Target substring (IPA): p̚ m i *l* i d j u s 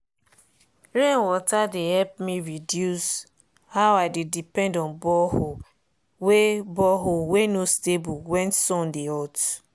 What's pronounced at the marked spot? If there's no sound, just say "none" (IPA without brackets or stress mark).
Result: ɹ